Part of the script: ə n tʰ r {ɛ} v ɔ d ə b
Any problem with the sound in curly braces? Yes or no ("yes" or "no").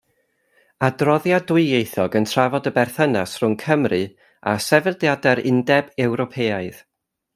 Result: yes